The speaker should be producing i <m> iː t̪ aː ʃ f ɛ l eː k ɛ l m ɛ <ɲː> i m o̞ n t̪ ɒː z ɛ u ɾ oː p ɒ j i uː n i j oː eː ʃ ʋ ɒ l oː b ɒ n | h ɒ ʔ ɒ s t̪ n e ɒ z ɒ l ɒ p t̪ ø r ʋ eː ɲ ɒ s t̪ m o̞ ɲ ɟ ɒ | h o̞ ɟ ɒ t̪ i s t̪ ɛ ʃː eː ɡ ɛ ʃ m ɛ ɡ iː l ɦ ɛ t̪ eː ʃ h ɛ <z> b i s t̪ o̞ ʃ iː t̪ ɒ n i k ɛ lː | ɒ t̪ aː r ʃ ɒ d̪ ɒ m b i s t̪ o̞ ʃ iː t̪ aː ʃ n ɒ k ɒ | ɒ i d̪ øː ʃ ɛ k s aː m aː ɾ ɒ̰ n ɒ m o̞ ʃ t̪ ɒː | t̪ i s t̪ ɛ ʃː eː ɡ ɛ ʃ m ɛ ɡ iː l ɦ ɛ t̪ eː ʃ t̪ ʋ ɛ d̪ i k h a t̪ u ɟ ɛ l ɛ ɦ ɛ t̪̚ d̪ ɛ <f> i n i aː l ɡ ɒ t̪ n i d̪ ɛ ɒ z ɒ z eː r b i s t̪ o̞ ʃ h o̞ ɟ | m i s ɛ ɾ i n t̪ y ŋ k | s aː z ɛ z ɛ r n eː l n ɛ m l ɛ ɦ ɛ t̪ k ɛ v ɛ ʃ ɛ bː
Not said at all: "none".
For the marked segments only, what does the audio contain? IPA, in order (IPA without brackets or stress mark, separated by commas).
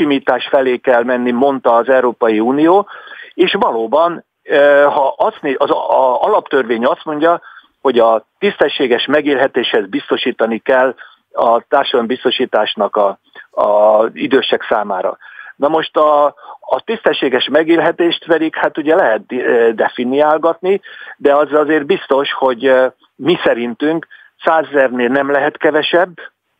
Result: m, nː, z, f